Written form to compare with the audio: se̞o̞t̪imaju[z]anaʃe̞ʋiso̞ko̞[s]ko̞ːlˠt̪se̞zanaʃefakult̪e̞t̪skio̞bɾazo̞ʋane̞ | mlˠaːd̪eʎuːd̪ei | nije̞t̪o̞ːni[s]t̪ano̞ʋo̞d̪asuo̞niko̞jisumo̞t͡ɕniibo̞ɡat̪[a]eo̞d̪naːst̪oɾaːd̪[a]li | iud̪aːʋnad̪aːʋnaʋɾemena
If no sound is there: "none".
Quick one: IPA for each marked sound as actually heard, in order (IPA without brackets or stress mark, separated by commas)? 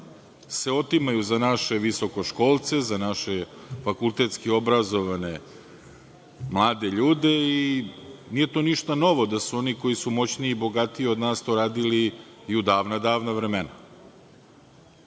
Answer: z, ʃ, ʃ, i, i